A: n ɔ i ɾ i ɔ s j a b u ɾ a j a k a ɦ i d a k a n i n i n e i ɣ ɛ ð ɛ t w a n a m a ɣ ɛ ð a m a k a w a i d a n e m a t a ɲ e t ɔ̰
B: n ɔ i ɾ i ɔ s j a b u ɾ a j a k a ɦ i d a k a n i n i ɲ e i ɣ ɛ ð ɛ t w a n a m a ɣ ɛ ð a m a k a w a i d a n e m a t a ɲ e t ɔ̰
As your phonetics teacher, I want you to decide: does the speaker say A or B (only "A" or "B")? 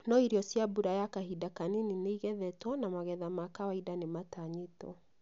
A